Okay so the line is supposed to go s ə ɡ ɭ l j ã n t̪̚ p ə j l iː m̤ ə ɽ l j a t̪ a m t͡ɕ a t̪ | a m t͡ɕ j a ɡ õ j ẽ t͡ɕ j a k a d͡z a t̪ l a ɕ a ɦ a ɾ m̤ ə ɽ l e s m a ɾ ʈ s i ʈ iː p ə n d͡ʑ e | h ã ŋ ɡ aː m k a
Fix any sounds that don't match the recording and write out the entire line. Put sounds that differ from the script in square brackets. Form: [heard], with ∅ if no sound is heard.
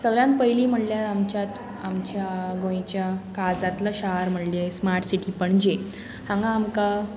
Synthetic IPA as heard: s ə ɡ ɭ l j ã n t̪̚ p ə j l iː m̤ ə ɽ l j a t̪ a m t͡ɕ a t̪ | a m t͡ɕ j a ɡ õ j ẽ t͡ɕ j a k a d͡z a t̪ l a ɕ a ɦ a ɾ m̤ ə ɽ l e s m a ɾ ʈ s i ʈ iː p ə [ɳ] d͡ʑ e | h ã ŋ ɡ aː m k a